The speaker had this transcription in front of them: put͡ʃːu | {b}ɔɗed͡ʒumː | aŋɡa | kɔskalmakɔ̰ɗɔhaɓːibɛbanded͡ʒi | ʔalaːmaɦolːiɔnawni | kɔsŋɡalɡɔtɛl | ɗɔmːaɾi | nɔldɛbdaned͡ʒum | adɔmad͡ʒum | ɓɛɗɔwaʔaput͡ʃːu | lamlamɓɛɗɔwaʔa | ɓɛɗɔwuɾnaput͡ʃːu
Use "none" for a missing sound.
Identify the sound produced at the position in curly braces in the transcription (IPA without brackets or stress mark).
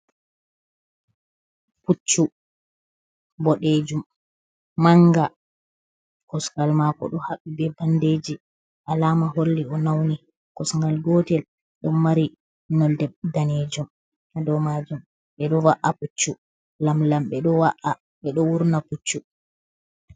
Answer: b